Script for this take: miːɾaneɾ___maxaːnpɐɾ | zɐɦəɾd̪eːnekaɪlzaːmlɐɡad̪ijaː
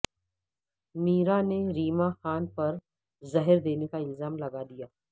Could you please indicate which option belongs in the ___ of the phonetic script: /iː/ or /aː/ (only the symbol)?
iː